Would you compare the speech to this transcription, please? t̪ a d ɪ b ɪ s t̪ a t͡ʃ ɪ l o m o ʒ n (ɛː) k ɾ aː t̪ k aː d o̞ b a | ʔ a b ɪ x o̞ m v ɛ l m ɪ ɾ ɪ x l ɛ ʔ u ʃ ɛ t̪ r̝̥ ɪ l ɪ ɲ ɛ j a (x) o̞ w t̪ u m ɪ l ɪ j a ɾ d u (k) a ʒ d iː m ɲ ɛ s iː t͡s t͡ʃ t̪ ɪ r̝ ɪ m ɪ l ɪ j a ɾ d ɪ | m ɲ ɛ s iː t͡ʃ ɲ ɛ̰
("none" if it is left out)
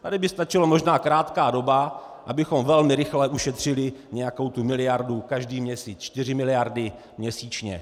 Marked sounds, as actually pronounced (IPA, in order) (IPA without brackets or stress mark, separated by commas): aː, k, k